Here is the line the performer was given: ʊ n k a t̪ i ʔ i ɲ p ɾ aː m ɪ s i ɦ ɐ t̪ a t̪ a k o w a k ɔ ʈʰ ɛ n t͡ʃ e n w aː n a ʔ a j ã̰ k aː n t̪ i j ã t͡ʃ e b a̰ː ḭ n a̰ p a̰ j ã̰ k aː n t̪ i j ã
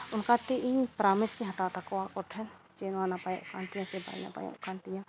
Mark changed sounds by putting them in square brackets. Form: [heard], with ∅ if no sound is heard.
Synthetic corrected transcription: ʊ n k a t̪ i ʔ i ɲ p ɾ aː m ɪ s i ɦ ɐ t̪ a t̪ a k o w a k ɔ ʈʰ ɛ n t͡ʃ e n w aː n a [p] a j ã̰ k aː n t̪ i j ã t͡ʃ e b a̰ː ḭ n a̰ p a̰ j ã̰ k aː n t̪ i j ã